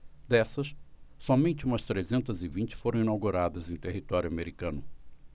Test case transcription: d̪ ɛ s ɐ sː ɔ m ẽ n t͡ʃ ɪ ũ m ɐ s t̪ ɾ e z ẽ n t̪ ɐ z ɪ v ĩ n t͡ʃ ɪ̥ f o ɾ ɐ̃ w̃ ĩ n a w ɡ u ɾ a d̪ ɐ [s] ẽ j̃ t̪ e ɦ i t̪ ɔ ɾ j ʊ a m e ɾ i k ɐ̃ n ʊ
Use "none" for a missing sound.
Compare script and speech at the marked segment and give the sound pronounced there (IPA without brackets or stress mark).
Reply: z